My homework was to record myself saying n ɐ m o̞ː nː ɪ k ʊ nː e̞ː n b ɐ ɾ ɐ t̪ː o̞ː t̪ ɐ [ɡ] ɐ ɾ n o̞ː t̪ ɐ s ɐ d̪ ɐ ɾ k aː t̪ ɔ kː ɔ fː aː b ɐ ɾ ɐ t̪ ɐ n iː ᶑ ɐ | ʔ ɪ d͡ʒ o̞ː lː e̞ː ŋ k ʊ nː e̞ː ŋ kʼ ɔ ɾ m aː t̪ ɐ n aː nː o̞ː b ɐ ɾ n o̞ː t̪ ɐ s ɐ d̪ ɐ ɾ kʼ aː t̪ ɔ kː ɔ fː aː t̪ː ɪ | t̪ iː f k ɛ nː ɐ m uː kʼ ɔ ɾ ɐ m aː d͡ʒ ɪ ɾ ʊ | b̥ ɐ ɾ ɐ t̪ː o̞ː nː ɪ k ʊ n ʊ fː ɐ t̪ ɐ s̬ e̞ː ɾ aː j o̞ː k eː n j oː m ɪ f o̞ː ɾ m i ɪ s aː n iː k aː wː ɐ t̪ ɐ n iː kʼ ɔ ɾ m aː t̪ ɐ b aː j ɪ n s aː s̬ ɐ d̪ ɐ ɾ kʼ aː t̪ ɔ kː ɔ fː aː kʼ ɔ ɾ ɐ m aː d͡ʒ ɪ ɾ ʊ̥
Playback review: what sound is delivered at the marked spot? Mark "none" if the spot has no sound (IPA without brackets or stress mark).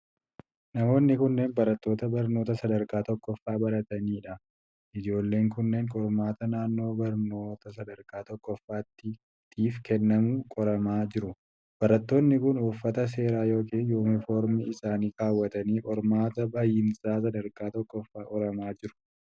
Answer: b